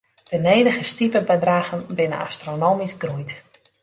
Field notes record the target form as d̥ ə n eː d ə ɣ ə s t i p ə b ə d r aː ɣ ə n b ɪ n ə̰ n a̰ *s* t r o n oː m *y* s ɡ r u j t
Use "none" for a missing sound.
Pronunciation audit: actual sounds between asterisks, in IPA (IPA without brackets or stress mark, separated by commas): s, i